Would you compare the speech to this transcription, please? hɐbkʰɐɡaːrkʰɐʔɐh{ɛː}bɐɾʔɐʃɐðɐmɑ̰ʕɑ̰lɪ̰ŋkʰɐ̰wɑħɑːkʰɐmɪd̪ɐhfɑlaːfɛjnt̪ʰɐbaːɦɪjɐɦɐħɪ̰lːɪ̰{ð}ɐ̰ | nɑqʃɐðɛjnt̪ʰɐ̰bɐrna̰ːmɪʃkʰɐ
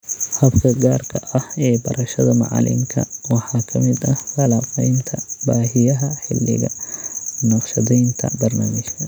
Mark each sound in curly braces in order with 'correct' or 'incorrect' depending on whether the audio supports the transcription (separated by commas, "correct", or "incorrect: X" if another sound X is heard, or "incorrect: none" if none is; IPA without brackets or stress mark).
correct, incorrect: ɣ